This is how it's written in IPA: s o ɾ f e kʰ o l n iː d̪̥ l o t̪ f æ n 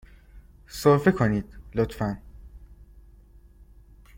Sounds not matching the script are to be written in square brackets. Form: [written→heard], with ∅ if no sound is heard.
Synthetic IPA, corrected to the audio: s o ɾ f e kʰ o [l→∅] n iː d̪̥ l o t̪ f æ n